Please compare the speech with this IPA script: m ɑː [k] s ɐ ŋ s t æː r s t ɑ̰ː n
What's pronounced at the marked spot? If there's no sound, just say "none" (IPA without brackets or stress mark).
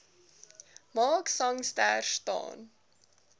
k